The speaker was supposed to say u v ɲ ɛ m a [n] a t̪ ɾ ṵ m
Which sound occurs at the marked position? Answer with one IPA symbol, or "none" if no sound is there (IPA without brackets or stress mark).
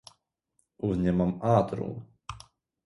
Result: m